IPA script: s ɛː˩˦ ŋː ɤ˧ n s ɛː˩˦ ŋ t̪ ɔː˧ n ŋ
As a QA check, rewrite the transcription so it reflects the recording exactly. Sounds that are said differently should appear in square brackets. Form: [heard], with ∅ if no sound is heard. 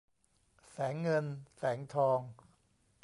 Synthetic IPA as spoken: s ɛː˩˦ ŋː ɤ˧ n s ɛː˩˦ ŋ [t̪ʰ] ɔː˧ [∅] ŋ